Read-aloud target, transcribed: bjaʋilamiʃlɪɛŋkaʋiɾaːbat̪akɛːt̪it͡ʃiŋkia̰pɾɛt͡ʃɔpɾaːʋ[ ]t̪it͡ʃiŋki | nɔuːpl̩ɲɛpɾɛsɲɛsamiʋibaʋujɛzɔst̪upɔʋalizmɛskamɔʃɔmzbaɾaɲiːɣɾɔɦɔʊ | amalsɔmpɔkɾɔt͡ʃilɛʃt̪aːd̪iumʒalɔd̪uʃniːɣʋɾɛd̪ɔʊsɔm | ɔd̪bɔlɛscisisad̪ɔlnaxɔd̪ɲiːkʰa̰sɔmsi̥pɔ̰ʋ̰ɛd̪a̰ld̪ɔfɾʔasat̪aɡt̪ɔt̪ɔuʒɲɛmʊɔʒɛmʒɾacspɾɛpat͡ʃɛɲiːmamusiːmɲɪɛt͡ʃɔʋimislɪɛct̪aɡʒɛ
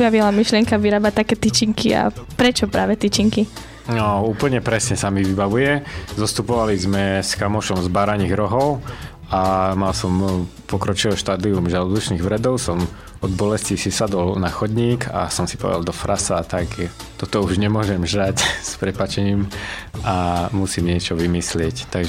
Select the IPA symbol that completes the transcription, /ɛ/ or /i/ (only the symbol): ɛ